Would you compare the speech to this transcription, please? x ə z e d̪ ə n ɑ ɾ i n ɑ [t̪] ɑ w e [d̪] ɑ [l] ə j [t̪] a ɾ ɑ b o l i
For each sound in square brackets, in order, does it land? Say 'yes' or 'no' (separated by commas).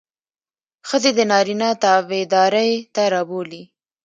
yes, yes, no, yes